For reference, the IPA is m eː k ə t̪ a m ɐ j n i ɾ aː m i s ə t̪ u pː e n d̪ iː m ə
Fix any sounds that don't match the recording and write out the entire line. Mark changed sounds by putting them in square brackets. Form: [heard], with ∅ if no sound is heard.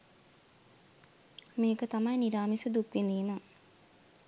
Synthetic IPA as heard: m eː k ə t̪ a m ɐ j n i ɾ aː m i s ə [d̪] u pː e n d̪ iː m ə